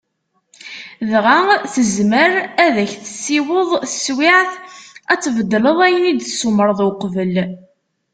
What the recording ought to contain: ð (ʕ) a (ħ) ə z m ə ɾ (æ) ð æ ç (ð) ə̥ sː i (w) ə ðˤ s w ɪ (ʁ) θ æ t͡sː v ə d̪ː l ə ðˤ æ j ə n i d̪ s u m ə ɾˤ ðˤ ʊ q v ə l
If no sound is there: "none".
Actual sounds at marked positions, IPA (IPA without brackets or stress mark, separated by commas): ʁ, θ, æ, θ, w, ʕ